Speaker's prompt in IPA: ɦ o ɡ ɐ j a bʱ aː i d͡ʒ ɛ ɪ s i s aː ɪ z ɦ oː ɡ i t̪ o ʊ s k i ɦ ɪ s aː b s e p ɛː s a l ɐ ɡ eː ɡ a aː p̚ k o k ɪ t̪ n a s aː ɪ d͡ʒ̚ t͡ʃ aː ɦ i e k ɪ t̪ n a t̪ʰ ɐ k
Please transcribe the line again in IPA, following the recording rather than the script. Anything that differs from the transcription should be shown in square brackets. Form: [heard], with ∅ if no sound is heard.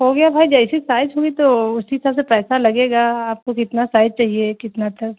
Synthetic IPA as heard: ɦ o ɡ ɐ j a bʱ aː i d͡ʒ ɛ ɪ s i s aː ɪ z ɦ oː ɡ i t̪ o ʊ s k i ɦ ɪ s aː b s e p ɛː s a l ɐ ɡ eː ɡ a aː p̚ k o k ɪ t̪ n a s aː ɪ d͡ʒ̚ t͡ʃ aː ɦ i e k ɪ t̪ n a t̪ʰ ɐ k